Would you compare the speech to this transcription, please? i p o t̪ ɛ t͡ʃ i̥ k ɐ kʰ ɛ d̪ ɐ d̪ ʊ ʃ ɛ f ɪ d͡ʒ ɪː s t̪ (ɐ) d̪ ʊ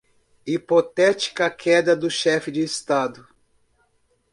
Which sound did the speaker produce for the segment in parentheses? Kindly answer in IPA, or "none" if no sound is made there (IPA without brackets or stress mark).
a